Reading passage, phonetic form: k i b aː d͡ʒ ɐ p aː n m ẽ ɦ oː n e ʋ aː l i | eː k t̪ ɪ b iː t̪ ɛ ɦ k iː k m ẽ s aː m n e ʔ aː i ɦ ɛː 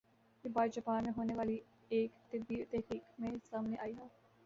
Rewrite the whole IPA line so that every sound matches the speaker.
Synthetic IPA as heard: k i b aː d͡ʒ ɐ p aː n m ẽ ɦ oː n e ʋ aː l i | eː k t̪ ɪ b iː t̪ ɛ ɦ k iː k m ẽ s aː m n e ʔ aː i ɦ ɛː